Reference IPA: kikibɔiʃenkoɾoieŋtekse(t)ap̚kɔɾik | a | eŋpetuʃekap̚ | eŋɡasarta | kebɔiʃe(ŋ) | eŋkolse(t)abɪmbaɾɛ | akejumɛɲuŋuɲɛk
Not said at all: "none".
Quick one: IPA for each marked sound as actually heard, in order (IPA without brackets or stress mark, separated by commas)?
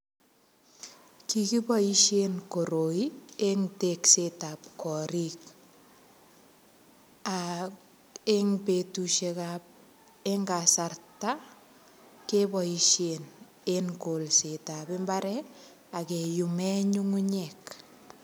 t, n, t